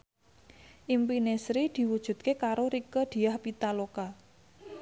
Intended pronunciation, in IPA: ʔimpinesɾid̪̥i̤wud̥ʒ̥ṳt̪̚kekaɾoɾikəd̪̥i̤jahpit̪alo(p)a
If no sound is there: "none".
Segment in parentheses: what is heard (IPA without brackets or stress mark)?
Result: k